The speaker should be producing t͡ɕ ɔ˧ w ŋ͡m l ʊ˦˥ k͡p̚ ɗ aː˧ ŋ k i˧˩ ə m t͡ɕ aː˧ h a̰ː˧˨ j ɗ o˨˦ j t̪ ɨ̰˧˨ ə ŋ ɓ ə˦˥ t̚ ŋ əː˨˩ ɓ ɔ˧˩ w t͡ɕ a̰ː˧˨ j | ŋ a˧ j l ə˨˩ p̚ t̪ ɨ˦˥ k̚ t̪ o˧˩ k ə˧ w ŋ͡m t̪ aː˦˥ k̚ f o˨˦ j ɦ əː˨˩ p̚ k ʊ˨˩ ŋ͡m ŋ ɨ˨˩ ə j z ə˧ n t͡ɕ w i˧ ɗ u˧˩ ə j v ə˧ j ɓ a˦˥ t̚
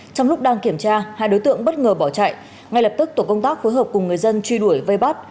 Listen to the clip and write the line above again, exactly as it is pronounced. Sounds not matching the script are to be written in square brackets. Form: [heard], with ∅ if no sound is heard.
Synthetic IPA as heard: t͡ɕ ɔ˧ w ŋ͡m l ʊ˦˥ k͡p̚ ɗ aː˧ ŋ k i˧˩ ə m t͡ɕ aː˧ h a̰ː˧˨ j ɗ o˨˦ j t̪ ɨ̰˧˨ ə ŋ ɓ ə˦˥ t̚ ŋ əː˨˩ ɓ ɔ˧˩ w t͡ɕ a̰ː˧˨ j | ŋ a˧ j l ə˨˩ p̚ t̪ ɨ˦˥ k̚ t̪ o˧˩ k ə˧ w ŋ͡m t̪ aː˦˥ k̚ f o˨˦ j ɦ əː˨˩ p̚ k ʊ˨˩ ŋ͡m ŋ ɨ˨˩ ə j z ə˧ n t͡ɕ w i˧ ɗ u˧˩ ə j v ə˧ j ɓ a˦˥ t̚